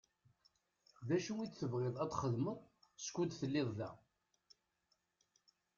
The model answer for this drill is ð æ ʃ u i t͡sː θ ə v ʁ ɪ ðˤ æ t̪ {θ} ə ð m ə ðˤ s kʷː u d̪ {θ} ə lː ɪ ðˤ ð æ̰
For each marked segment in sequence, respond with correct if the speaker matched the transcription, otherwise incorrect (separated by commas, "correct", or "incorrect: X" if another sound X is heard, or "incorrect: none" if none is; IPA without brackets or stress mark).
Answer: incorrect: χ, correct